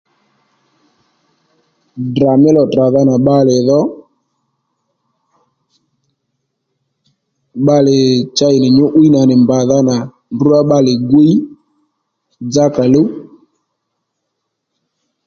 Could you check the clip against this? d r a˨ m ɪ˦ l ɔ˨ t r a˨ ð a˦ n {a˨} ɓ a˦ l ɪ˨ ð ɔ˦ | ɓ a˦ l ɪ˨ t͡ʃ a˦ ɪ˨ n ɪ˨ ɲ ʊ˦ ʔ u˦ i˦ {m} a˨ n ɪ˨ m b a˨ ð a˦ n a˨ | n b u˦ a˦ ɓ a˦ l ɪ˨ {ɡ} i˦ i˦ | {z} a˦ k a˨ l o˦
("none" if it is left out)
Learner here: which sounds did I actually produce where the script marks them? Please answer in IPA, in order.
a˨, n, ɡ, d͡z

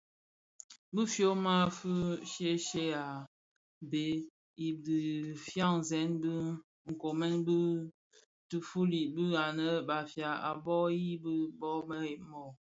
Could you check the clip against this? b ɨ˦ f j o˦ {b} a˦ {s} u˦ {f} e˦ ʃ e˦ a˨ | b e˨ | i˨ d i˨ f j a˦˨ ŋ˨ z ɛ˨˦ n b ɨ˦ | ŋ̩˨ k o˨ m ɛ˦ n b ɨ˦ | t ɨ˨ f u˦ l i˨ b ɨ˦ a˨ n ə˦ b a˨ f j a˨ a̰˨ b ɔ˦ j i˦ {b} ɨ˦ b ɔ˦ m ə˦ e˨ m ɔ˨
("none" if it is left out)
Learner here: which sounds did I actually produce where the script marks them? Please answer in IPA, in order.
m, f, ʃ, b

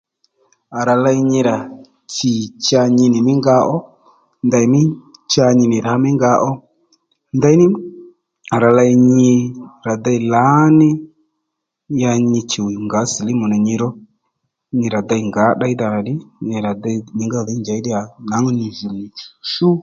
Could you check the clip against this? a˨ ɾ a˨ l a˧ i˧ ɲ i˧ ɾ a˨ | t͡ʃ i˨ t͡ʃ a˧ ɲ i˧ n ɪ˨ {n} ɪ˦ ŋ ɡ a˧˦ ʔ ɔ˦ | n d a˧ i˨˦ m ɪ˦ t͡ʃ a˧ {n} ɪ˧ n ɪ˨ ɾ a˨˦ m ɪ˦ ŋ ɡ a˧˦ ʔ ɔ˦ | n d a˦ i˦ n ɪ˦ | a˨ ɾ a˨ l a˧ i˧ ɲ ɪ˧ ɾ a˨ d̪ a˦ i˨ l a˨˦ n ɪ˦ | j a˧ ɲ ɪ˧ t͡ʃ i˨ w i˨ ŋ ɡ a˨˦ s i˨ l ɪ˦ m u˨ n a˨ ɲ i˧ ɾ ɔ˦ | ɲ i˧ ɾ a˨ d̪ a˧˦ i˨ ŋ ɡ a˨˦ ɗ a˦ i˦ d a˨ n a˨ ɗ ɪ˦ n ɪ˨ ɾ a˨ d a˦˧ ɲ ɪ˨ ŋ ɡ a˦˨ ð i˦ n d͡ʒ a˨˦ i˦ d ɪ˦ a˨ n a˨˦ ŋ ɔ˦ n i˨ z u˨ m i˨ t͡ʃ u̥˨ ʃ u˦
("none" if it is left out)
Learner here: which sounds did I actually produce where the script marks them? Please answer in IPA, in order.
m, ɲ

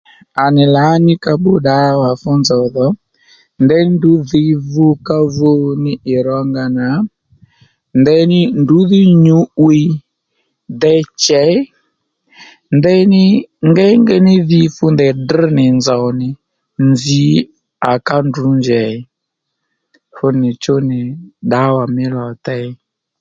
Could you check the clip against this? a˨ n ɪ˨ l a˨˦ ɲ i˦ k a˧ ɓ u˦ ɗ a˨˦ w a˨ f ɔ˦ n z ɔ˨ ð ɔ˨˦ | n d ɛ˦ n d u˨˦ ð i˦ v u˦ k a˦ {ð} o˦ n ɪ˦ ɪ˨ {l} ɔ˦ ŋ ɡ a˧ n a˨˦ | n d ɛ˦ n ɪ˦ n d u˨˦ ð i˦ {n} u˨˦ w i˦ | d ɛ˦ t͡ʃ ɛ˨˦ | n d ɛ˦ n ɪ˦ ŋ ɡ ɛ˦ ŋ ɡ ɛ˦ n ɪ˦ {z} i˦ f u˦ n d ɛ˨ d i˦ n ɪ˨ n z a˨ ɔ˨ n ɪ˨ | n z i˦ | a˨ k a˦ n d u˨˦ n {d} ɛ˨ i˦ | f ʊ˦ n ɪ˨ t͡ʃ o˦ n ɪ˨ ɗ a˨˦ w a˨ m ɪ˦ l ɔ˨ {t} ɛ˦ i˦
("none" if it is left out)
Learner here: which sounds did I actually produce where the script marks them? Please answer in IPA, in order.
v, ɾ, ɲ, ð, d͡ʒ, t

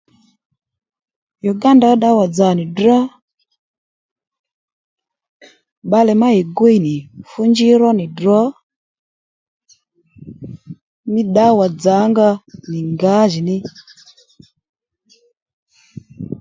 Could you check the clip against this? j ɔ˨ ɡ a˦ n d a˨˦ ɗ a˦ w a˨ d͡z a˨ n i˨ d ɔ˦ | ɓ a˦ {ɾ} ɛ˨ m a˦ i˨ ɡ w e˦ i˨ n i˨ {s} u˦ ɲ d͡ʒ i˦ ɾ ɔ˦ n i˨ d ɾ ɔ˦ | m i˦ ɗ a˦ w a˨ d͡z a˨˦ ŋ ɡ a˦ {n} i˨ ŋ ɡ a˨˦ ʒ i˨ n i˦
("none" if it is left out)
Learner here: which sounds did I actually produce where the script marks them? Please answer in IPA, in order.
l, f, n

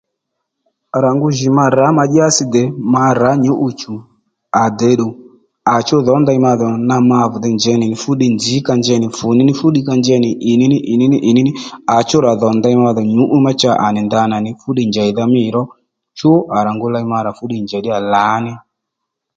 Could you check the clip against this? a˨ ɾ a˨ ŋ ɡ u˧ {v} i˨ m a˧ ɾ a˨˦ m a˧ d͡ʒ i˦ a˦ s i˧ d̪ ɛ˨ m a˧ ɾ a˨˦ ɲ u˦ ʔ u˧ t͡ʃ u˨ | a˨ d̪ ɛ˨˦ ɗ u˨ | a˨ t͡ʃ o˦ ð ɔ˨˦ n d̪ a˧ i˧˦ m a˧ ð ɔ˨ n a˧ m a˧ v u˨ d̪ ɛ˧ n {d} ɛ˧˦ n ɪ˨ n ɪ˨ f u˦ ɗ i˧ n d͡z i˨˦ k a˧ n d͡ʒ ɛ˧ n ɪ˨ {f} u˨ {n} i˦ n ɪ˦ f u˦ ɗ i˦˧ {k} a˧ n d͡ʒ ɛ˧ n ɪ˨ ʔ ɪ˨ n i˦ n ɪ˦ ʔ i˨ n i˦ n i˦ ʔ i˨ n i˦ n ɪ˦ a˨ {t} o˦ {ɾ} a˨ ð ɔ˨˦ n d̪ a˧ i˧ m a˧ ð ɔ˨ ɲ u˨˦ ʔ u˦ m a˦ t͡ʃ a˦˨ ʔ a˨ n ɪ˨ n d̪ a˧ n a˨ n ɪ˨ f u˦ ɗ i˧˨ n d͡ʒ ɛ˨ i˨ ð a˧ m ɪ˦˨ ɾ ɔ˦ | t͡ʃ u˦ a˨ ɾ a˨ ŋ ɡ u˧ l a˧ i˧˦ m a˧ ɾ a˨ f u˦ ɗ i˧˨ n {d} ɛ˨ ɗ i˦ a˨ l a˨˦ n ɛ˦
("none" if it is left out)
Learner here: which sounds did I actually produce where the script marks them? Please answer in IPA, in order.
ʒ, d͡ʒ, f, n, k, t͡ʃ, ɾ, d͡ʒ

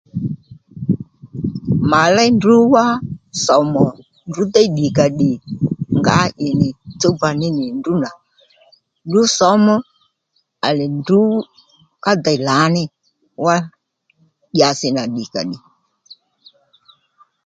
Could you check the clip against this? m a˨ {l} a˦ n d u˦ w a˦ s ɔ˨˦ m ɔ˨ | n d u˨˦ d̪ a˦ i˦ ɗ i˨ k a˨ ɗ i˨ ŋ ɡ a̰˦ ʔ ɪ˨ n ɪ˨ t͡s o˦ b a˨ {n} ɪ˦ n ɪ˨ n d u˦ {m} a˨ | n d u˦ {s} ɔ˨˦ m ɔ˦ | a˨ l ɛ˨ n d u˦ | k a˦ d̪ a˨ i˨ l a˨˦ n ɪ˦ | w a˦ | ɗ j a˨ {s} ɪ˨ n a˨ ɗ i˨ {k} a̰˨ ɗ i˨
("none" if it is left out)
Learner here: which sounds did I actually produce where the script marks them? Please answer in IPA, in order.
l, n, n, s, s, k

